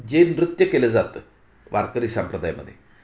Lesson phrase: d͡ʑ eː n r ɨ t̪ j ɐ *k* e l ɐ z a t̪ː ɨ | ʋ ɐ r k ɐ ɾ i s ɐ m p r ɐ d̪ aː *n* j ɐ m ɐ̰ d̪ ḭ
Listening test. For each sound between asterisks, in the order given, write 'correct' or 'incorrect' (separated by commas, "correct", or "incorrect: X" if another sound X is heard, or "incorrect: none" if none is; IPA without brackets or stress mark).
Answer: correct, incorrect: none